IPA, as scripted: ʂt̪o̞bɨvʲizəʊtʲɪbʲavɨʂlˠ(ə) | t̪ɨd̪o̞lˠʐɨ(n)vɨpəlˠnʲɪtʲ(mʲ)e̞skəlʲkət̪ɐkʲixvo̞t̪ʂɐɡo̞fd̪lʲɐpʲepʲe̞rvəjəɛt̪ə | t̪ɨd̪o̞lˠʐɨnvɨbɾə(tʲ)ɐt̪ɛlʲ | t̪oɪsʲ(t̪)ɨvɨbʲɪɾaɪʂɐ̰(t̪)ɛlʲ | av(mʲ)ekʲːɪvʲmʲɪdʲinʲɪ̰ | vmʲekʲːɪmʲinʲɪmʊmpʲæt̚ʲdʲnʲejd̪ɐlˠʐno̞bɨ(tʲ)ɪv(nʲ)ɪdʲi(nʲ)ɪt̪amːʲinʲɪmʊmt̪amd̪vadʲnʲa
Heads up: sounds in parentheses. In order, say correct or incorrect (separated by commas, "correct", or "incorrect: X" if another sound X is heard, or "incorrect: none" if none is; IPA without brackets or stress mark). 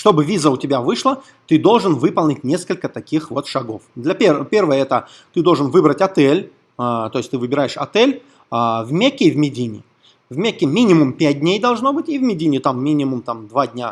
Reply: correct, correct, incorrect: nʲ, correct, correct, correct, correct, correct, incorrect: mʲ, correct